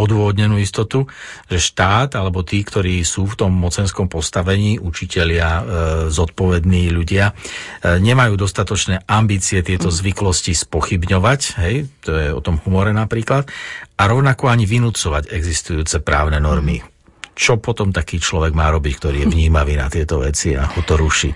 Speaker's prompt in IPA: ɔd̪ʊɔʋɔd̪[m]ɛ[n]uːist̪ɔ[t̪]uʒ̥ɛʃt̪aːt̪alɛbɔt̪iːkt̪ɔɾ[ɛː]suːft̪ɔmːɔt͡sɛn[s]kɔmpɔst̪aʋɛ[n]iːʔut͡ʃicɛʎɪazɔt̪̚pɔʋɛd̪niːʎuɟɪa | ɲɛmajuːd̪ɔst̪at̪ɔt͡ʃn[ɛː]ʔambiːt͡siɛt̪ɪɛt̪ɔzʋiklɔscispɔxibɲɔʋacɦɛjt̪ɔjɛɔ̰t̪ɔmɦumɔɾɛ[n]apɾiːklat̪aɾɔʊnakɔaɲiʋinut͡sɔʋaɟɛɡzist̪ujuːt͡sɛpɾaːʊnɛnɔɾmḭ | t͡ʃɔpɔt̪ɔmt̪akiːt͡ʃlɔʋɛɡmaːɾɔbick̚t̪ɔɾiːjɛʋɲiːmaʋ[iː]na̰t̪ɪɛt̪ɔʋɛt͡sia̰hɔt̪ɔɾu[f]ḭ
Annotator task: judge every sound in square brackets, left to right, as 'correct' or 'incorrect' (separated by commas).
incorrect, correct, correct, incorrect, correct, incorrect, correct, correct, correct, incorrect